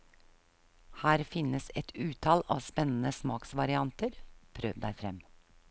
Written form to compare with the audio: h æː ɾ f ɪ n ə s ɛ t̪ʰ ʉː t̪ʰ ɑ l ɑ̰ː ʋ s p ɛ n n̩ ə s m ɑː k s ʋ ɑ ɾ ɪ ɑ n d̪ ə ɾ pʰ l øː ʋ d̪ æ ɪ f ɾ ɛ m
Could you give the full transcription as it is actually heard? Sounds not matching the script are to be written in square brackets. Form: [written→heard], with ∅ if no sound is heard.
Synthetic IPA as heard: h æː ɾ f ɪ n ə s ɛ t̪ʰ ʉː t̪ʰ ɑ l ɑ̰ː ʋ s p ɛ n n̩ ə s m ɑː k s ʋ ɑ ɾ ɪ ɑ n [d̪→t̪] ə ɾ pʰ [l→ɾ] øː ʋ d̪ æ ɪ f ɾ ɛ m